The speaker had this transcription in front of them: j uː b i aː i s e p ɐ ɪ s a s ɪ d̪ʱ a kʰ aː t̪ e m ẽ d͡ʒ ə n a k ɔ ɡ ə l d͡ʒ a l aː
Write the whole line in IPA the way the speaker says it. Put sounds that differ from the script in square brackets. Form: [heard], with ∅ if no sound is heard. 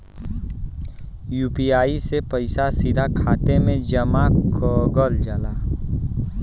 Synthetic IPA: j uː [p] i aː i s e p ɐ ɪ s a s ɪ d̪ʱ a kʰ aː t̪ e m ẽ d͡ʒ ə [m] a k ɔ ɡ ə l d͡ʒ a l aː